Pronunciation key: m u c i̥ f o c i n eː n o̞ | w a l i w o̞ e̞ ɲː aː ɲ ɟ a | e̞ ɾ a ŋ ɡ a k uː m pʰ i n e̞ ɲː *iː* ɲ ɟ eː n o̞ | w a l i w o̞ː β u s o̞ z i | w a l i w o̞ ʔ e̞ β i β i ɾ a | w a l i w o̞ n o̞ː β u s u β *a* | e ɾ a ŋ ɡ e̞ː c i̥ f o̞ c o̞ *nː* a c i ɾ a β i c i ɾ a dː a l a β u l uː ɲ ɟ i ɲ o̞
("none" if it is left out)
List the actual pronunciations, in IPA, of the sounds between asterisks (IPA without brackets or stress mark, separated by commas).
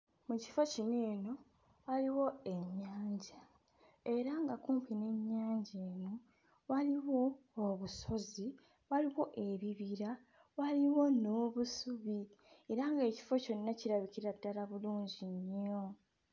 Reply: aː, i, nː